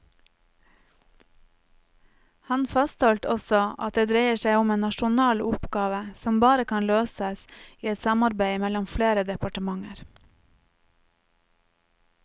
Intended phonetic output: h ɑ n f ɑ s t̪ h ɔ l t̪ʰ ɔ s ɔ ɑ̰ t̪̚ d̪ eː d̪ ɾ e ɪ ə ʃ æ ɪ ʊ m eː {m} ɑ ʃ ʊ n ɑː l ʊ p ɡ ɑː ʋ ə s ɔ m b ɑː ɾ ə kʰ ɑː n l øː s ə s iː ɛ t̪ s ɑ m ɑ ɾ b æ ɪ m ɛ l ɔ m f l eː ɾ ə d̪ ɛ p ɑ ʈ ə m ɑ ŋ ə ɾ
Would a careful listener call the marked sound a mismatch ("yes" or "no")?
yes